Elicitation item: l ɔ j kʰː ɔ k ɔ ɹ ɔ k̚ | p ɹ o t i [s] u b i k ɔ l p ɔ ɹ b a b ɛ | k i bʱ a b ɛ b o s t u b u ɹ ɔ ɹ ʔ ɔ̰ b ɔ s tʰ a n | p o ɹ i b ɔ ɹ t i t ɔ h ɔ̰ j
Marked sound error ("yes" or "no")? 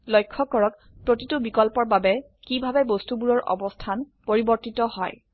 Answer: yes